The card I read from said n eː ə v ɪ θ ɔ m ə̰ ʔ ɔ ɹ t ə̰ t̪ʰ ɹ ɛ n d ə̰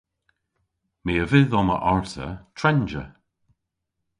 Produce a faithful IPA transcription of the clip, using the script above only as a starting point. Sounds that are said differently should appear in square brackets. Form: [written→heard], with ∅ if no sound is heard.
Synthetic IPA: [n→m] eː ə v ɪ [θ→ð] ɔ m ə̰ ʔ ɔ ɹ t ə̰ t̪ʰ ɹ ɛ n [d→d͡ʒ] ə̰